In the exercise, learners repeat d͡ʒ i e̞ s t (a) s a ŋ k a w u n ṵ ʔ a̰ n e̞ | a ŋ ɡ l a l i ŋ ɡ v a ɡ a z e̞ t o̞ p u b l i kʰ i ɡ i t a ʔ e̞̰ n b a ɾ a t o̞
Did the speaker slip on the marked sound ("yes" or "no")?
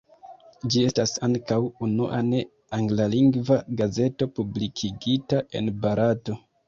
no